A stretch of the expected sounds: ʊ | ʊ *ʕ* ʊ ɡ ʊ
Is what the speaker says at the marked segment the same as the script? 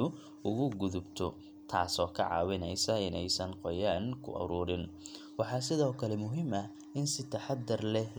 no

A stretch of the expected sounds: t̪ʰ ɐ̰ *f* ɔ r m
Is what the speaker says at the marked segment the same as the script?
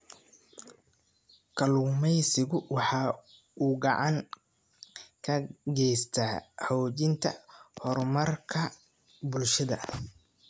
no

